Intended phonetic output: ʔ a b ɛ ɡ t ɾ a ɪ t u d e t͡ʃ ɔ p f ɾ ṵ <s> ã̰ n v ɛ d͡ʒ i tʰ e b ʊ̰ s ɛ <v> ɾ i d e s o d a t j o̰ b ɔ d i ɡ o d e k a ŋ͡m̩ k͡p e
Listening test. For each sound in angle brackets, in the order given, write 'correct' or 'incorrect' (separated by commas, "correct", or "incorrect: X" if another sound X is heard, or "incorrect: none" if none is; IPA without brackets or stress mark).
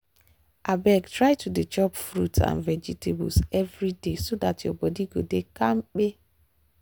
incorrect: t, correct